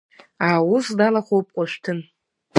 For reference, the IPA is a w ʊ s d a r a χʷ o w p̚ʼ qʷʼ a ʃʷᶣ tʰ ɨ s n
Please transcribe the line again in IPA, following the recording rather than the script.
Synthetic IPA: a w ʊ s d a l a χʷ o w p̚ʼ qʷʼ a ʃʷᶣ tʰ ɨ n